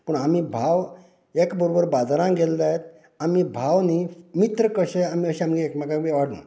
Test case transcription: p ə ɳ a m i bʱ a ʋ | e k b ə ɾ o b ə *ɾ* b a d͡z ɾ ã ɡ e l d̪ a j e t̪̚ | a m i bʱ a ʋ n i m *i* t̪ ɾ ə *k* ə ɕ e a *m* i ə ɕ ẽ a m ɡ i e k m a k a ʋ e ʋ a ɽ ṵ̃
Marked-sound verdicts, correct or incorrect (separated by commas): correct, correct, correct, correct